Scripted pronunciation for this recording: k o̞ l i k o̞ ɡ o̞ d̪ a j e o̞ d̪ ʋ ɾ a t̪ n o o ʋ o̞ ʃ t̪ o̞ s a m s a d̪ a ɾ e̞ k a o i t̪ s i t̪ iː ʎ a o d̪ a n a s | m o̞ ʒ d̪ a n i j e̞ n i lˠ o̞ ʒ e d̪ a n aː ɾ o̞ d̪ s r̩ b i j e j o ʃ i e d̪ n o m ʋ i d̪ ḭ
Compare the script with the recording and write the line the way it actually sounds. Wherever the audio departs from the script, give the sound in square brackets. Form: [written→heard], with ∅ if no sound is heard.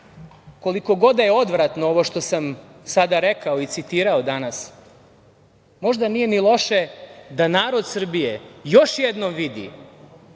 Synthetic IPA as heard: k o̞ l i k o̞ ɡ o̞ d̪ a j e o̞ d̪ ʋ ɾ a t̪ n o o ʋ o̞ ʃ t̪ o̞ s a m s a d̪ a ɾ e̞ k a o i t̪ s i t̪ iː [ʎ→ɾ] a o d̪ a n a s | m o̞ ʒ d̪ a n i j e̞ n i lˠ o̞ [ʒ→ʃ] e d̪ a n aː ɾ o̞ d̪ s r̩ b i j e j o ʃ [i→j] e d̪ n o m ʋ i d̪ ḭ